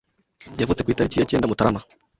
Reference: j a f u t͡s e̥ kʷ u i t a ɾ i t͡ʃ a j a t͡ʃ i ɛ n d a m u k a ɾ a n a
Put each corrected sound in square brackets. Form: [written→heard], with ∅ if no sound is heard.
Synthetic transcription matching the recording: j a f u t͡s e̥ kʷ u i t a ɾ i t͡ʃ [a→i] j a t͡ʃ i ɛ n d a m u [k→t] a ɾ a [n→m] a